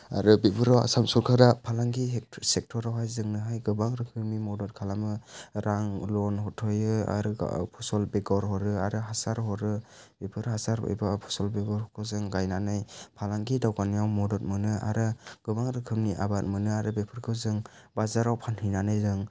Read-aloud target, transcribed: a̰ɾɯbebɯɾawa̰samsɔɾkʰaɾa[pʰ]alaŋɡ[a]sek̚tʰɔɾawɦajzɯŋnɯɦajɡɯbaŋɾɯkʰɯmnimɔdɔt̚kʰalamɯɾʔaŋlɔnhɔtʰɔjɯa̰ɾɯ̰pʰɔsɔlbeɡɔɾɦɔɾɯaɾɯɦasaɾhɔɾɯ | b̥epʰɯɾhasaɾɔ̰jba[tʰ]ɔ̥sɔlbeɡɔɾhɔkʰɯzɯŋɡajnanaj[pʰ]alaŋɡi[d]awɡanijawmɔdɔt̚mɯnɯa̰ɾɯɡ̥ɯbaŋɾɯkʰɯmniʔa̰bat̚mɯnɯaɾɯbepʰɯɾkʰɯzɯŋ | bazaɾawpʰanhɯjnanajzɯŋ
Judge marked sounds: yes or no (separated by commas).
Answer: yes, no, no, yes, yes